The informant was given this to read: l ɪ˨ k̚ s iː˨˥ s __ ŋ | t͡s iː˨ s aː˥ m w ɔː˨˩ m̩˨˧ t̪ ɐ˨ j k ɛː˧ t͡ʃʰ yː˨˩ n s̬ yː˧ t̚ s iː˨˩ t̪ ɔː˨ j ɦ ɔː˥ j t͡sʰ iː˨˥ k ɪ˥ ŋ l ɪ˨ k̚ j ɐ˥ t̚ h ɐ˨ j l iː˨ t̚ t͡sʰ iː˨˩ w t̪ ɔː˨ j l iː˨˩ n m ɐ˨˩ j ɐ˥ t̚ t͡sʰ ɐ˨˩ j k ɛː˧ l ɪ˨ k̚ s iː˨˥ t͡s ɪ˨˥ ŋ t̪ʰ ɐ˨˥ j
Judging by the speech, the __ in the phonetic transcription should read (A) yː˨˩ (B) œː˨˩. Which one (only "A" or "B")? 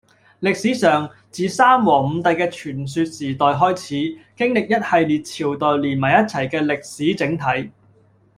B